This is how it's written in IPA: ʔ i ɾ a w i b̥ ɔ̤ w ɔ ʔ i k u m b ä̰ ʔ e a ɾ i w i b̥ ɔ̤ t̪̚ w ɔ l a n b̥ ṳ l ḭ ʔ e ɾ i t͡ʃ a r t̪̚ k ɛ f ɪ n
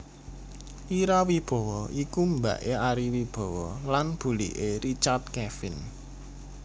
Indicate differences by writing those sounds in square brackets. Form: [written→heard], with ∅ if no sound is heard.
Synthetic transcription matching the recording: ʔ i ɾ a w i b̥ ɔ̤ w ɔ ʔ i k u m b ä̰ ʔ e a ɾ i w i b̥ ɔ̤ [t̪̚→∅] w ɔ l a n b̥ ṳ l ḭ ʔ e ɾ i t͡ʃ a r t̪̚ k ɛ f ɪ n